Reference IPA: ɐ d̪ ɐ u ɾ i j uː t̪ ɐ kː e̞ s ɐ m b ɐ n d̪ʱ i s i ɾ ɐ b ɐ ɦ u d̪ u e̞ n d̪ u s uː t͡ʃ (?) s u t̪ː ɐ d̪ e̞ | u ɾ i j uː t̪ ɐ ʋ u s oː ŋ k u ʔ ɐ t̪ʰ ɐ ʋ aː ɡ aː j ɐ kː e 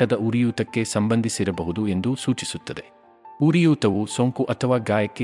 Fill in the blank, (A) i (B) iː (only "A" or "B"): A